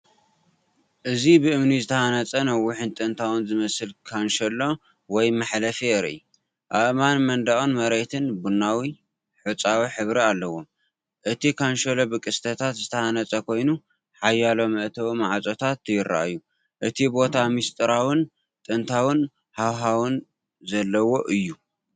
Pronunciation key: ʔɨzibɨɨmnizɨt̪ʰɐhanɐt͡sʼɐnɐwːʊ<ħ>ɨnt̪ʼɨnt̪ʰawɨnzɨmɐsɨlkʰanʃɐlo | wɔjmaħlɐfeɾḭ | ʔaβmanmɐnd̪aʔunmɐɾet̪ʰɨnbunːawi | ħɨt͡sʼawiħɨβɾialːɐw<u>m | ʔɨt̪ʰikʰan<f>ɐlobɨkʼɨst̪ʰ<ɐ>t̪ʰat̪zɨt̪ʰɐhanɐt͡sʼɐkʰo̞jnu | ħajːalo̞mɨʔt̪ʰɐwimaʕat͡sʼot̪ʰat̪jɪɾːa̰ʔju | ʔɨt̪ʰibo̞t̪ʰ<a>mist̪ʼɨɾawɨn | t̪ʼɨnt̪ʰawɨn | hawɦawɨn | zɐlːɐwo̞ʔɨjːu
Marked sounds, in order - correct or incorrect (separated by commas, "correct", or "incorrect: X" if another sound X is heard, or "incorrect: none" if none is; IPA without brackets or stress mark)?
correct, incorrect: o, incorrect: ʃ, correct, correct